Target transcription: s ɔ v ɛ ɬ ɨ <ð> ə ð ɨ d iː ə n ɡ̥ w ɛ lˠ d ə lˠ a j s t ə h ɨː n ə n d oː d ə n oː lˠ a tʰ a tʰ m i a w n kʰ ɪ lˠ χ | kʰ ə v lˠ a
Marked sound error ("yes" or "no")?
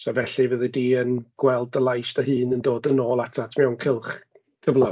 yes